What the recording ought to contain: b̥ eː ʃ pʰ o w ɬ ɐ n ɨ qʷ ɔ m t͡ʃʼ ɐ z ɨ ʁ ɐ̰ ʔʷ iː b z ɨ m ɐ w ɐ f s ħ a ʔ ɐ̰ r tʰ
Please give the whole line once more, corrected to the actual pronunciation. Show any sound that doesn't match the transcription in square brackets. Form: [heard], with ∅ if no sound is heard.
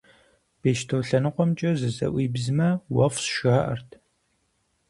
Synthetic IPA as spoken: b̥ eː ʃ [tʰ] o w ɬ ɐ n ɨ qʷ ɔ m t͡ʃʼ ɐ z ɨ [z] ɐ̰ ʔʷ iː b z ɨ m ɐ w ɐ f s [ʃ] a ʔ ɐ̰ r tʰ